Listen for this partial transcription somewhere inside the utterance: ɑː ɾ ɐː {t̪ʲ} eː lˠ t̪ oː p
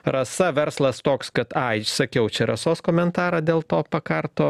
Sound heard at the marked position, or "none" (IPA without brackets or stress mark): d̪ʲ